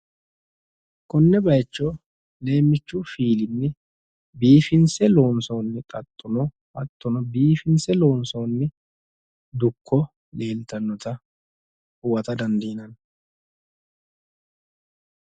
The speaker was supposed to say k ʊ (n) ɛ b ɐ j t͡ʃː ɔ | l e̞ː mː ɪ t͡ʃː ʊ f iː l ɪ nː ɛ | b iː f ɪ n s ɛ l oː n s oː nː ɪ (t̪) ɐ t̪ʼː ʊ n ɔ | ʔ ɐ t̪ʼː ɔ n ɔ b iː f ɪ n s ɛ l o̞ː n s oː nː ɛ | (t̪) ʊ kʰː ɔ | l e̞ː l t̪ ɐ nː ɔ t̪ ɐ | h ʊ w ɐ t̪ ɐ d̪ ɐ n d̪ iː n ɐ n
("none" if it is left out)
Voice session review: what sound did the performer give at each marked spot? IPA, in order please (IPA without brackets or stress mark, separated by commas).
nː, t̪ʼ, d̪